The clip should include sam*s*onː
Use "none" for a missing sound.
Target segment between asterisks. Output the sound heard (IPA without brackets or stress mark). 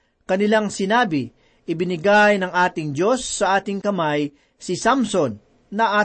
s